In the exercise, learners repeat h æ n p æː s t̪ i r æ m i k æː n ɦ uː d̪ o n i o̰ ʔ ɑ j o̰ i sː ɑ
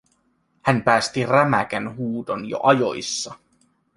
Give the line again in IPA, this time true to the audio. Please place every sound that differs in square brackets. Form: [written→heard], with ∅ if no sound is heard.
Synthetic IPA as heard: h æ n p æː s t̪ i r æ m [i→æ] k [æː→æ] n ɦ uː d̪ o n [i→j] o̰ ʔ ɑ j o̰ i sː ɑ

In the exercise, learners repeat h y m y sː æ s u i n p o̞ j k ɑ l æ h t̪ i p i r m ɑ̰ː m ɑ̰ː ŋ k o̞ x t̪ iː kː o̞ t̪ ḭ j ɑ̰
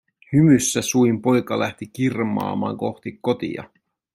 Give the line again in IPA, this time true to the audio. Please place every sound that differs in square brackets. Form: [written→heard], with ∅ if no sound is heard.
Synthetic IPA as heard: h y m y sː æ s u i [n→m] p o̞ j k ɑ l æ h t̪ i [p→k] i r m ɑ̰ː m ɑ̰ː ŋ k o̞ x t̪ [iː→i] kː o̞ t̪ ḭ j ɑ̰

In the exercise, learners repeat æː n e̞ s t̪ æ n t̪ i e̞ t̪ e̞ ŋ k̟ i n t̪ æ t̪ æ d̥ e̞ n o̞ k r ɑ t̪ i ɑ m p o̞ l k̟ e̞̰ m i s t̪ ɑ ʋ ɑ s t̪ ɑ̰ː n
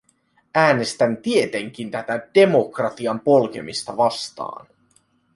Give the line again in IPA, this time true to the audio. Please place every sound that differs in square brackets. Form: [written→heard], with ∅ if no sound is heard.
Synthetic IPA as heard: æː n e̞ s t̪ æ n t̪ i e̞ t̪ e̞ ŋ k̟ i n t̪ æ t̪ æ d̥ e̞ [n→m] o̞ k r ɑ t̪ i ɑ m p o̞ l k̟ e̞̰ m i s t̪ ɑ ʋ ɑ s t̪ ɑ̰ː n

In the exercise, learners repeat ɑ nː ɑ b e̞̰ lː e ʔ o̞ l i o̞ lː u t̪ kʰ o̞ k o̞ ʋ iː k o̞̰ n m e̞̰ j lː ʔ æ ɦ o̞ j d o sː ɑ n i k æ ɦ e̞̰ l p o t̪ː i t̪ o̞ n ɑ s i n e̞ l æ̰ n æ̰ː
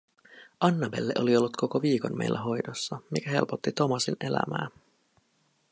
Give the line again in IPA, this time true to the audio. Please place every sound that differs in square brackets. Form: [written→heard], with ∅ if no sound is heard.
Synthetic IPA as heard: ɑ nː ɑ b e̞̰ lː e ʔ o̞ l i o̞ lː u t̪ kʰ o̞ k o̞ ʋ iː k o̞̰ n m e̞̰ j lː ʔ æ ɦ o̞ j d o sː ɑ [n→m] i k æ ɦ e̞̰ l p o t̪ː i t̪ o̞ [n→m] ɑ s i n e̞ l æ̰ [n→m] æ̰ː

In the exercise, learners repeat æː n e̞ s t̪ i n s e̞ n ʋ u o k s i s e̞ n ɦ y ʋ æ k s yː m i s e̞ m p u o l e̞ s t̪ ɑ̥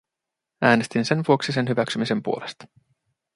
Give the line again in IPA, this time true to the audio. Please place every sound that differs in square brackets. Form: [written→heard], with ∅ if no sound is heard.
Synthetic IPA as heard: æː n e̞ s t̪ i n s e̞ n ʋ u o k s i s e̞ n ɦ y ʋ æ k s [yː→y] m i s e̞ m p u o l e̞ s t̪ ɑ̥

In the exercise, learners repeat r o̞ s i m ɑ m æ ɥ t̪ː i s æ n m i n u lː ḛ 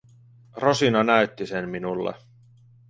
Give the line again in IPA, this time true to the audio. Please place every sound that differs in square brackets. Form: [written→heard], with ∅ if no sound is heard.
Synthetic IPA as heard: r o̞ s i [m→n] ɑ [m→n] æ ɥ t̪ː i s [æ→e] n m i n u lː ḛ

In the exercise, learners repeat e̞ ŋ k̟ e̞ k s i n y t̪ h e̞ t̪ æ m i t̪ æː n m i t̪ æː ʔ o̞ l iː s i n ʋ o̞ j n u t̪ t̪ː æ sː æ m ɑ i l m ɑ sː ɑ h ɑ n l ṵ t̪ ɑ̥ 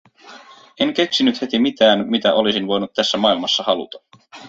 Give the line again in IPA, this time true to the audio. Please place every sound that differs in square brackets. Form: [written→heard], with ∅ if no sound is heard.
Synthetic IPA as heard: e̞ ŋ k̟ e̞ k s i n y t̪ h e̞ t̪ [æ→i] m i t̪ æː n m i t̪ [æː→æ] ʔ o̞ l [iː→i] s i n ʋ o̞ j n u t̪ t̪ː æ sː æ m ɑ i l m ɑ sː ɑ h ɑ [n→∅] l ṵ t̪ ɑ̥

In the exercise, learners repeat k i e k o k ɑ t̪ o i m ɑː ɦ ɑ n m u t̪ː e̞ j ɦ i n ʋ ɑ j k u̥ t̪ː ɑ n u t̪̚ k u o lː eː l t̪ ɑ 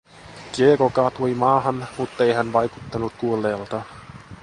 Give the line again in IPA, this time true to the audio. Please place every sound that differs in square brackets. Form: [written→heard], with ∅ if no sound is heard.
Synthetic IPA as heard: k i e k o k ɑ t̪ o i m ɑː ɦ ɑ n m u t̪ː e̞ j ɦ [i→æ] n ʋ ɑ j k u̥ t̪ː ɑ n u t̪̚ k u o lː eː l t̪ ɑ

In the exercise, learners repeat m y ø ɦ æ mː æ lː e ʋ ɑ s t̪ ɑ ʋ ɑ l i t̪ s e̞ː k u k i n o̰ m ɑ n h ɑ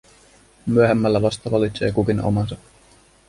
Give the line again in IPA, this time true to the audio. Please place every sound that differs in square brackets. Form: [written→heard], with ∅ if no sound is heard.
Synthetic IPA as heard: m y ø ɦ [æ→e] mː æ lː [e→æ] ʋ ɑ s t̪ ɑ ʋ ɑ l i t̪ s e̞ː k u k i n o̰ m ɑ n [h→s] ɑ

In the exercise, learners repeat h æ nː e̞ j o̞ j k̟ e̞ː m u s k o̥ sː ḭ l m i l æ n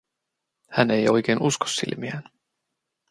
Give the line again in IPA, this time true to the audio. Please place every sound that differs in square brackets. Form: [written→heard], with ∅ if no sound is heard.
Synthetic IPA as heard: h æ [nː→n] e̞ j o̞ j k̟ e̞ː [m→n] u s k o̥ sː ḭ l m i [l→∅] æ n

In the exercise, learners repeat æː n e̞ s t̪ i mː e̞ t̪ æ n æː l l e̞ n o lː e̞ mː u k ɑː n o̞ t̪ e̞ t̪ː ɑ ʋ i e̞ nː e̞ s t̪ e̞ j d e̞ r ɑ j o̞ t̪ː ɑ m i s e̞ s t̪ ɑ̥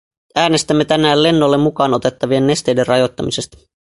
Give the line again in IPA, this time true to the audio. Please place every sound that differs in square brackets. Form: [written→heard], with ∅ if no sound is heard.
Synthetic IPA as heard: æː n e̞ s t̪ [i→æ] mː e̞ t̪ æ n æː l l e̞ [n→nː] o lː e̞ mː u k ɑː n o̞ t̪ e̞ t̪ː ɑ ʋ i e̞ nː e̞ s t̪ e̞ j d e̞ r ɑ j o̞ t̪ː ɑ m i s e̞ s t̪ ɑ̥

